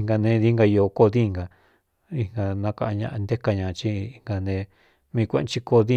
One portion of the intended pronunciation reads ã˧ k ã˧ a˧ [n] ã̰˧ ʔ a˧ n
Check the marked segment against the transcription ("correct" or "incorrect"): incorrect